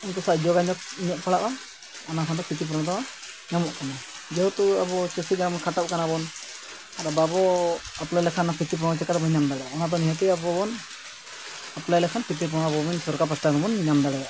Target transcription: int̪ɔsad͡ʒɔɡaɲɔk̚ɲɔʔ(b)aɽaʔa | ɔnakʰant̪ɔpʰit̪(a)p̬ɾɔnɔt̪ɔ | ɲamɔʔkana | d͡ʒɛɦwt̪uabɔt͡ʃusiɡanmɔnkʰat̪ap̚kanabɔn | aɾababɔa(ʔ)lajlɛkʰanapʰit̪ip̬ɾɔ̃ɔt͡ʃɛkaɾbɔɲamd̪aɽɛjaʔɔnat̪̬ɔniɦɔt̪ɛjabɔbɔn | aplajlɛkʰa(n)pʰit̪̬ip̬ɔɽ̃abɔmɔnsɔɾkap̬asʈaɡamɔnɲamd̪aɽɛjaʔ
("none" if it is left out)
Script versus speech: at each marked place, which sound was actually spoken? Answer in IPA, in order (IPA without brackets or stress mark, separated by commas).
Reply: p, i, p, n